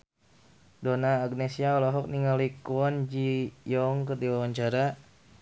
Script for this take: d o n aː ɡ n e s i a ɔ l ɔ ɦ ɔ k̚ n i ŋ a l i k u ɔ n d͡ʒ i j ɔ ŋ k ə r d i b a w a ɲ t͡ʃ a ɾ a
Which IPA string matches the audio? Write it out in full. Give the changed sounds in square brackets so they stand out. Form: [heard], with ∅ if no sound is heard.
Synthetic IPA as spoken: d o n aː ɡ n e s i a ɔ l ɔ ɦ ɔ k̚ n i ŋ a l i k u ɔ n d͡ʒ i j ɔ ŋ k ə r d i [w] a w a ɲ t͡ʃ a ɾ a